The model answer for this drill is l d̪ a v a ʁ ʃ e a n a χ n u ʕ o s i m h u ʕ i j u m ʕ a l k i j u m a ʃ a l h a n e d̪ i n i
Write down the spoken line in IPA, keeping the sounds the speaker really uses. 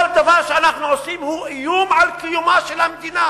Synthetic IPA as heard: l d̪ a v a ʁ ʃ e a n a χ n u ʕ o s i m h u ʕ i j u m ʕ a l k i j u m a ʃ e l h a m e d̪ i n a